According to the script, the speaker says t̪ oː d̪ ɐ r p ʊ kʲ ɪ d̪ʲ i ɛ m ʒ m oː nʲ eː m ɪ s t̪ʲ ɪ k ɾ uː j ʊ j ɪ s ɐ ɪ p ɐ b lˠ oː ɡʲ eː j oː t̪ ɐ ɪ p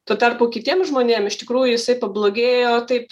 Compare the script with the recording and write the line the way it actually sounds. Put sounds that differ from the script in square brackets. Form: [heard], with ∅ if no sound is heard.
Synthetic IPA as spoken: t̪ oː [t̪] ɐ r p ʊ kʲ ɪ [t̪ʲ] i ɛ m ʒ m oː nʲ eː m ɪ [ʃ] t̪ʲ ɪ k ɾ uː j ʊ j ɪ s ɐ ɪ p ɐ b lˠ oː ɡʲ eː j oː t̪ ɐ ɪ p